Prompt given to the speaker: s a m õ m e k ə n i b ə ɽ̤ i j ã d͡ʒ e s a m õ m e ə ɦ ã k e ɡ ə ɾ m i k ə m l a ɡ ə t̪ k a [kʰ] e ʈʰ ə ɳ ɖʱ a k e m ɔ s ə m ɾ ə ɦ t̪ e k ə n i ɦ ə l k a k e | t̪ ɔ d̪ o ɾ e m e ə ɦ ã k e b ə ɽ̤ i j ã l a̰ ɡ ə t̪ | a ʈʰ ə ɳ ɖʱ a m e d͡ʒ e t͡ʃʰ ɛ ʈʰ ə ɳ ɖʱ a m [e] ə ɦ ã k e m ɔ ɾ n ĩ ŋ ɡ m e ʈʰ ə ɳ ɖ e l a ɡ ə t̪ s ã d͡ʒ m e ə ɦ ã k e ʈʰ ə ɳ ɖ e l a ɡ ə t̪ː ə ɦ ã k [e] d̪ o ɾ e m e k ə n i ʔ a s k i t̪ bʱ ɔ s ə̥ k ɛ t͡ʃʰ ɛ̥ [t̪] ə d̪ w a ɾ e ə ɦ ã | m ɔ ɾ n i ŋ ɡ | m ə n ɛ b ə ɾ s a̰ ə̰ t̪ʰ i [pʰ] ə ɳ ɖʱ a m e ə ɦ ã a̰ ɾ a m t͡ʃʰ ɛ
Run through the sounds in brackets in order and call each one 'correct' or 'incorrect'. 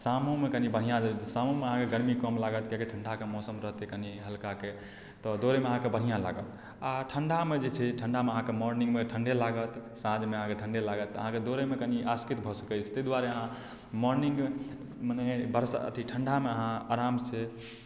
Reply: incorrect: k, correct, correct, correct, incorrect: ʈʰ

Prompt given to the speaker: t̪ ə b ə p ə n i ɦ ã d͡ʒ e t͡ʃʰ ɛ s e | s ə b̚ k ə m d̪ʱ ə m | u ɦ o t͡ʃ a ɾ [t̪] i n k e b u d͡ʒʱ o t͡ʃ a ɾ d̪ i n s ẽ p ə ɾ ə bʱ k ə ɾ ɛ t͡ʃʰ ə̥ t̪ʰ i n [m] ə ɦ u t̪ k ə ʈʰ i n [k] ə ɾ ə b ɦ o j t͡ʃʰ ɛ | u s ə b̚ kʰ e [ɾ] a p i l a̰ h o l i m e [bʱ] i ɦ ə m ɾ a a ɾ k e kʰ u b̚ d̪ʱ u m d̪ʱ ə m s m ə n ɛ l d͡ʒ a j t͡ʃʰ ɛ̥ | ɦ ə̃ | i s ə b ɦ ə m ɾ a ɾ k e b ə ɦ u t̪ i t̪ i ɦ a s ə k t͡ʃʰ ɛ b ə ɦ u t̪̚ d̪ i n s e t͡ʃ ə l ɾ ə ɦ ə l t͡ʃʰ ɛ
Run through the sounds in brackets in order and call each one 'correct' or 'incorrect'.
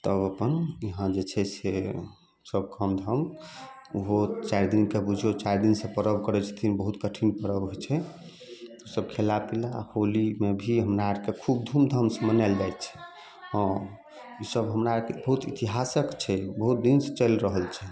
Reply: incorrect: d̪, incorrect: b, incorrect: p, incorrect: l, correct

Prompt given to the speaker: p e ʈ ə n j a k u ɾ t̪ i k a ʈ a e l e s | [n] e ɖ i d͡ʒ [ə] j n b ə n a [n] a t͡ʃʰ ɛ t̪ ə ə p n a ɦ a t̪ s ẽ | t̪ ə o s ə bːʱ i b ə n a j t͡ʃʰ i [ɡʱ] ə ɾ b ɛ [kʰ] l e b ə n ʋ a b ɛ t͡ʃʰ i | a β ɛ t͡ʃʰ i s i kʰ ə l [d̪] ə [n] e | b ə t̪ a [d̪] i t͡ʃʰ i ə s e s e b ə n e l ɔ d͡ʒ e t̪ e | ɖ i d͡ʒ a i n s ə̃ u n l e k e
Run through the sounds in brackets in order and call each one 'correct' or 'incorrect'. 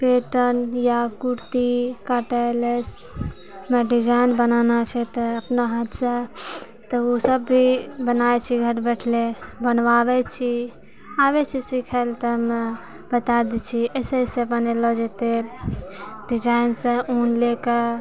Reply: incorrect: m, incorrect: a, correct, correct, incorrect: ʈʰ, incorrect: t̪, incorrect: m, correct

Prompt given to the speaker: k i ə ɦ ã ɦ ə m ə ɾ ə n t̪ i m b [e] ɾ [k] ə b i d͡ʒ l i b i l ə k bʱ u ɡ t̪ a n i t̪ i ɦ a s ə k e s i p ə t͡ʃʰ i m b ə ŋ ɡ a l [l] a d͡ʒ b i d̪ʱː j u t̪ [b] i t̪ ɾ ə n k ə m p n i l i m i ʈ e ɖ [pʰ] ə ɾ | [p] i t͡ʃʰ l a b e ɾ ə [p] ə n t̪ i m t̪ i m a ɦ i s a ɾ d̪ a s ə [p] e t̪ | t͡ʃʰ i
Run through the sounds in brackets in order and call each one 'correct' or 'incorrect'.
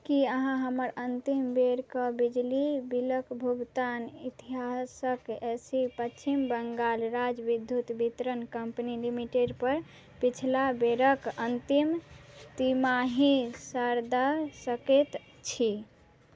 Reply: correct, correct, incorrect: ɾ, correct, incorrect: p, correct, incorrect: k, incorrect: k

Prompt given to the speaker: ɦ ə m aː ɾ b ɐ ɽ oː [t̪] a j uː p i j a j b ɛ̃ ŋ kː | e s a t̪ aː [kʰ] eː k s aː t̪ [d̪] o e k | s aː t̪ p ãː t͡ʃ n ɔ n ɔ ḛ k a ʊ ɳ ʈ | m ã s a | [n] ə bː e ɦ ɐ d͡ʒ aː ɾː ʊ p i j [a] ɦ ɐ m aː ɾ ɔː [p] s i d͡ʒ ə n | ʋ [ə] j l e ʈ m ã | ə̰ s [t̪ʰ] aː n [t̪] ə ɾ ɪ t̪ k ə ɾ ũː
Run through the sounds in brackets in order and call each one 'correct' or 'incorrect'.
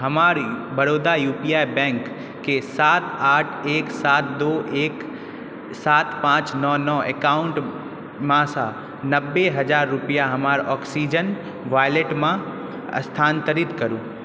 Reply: incorrect: d̪, incorrect: ʈʰ, correct, correct, correct, incorrect: k, incorrect: a, correct, correct

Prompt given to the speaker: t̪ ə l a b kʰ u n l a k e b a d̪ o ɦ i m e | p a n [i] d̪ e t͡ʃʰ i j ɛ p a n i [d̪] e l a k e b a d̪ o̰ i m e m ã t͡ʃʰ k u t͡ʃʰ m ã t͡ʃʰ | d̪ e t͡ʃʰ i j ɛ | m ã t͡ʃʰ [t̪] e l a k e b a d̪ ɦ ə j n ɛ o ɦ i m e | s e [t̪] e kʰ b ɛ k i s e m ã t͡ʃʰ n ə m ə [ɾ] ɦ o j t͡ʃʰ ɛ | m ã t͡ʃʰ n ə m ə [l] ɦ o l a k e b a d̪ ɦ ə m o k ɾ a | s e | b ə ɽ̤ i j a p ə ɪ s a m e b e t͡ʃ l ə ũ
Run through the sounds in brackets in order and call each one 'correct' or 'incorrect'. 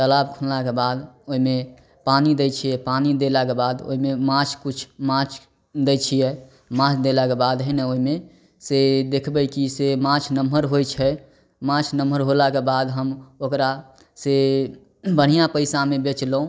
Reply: correct, correct, incorrect: d̪, incorrect: d̪, correct, incorrect: ɾ

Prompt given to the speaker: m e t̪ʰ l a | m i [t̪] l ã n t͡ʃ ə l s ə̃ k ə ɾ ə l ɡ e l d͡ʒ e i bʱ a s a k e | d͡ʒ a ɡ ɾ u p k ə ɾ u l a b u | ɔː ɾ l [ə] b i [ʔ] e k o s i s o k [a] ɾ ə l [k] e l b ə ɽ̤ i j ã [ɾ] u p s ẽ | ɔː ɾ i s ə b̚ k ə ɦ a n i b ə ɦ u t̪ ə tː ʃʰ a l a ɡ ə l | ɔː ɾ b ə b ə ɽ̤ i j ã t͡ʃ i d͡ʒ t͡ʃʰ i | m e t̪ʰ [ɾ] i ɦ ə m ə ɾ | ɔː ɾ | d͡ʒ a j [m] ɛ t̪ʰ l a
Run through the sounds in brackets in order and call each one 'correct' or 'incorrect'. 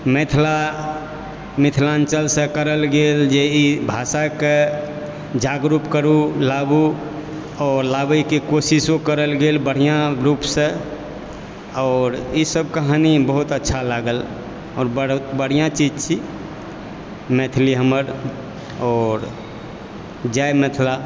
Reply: incorrect: t̪ʰ, incorrect: a, incorrect: k, incorrect: ə, incorrect: ɡ, correct, incorrect: l, correct

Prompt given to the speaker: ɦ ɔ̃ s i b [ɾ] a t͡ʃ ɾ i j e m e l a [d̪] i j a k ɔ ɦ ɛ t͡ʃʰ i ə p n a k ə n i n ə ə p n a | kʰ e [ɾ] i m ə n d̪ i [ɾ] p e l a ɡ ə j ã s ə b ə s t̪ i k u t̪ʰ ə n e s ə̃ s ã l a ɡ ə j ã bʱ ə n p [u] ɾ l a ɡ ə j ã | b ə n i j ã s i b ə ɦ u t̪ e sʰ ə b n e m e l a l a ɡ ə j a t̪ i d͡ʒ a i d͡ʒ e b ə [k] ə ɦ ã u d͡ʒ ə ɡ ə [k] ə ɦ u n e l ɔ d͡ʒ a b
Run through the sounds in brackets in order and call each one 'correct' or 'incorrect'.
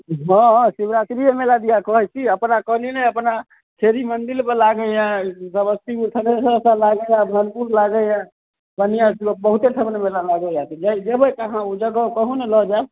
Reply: correct, correct, correct, incorrect: l, correct, correct, correct

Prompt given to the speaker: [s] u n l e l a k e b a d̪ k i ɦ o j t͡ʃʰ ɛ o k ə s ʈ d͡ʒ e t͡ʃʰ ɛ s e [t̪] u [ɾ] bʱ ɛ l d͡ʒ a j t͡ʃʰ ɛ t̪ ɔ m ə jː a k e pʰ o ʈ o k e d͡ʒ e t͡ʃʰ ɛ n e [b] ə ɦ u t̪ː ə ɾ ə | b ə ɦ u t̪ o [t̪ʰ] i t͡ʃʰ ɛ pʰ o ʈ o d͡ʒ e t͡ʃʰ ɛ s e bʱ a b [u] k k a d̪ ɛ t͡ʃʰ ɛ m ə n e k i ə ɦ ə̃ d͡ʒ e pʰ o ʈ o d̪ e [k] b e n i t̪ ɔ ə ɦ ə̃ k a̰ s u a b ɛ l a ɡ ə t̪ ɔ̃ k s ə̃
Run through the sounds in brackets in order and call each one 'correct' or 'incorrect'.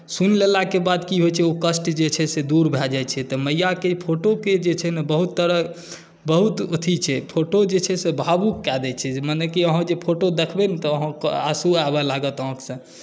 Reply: correct, incorrect: d̪, correct, correct, correct, correct, incorrect: kʰ

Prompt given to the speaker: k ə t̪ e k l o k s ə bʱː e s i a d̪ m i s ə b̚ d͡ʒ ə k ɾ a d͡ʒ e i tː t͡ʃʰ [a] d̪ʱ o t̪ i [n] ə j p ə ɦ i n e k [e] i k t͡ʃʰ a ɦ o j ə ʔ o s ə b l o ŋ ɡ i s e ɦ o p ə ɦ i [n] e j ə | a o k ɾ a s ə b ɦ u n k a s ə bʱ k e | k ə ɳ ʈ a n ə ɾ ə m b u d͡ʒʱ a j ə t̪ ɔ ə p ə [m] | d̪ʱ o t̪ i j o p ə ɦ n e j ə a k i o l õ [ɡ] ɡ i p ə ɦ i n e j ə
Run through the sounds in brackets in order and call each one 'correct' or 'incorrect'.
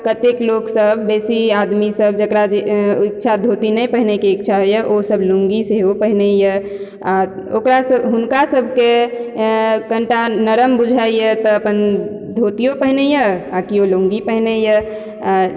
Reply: correct, correct, correct, correct, incorrect: n, incorrect: ŋ

